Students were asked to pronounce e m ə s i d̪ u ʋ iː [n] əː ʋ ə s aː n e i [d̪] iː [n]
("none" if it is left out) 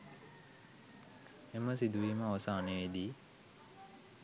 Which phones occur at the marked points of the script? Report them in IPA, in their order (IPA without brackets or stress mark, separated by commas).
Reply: m, d̪, none